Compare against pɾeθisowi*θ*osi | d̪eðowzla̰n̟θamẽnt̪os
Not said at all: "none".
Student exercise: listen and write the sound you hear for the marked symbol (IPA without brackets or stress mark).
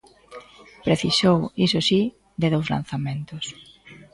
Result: s